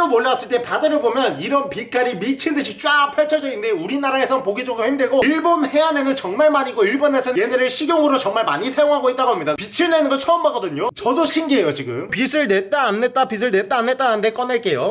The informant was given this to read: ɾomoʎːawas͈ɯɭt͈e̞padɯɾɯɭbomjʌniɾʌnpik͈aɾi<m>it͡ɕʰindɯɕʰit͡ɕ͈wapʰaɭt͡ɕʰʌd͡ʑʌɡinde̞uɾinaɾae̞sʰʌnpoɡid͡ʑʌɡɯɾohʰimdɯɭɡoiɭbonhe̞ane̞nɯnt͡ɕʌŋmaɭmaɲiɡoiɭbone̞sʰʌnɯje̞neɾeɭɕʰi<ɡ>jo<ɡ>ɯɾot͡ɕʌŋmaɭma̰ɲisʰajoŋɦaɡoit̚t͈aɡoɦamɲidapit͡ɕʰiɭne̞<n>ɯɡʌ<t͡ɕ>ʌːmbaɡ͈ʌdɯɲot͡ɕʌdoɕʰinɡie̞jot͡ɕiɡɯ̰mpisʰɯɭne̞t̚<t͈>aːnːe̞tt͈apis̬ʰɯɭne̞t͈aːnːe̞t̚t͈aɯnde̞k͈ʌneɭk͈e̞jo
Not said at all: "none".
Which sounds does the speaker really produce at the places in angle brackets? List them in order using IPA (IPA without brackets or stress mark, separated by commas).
m, ɡ, ŋ, n, t͡ɕʰ, t͈